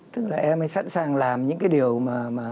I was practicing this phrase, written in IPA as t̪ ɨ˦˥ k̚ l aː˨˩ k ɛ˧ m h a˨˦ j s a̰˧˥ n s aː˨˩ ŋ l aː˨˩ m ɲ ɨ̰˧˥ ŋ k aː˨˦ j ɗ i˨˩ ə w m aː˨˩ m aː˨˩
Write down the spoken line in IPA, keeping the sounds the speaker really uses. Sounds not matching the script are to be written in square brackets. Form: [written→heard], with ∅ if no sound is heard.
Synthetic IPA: t̪ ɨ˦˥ k̚ l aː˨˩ [k→ʔ] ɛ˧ m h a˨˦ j s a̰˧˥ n s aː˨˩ ŋ l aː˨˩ m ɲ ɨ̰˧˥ ŋ k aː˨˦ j ɗ i˨˩ ə w m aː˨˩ m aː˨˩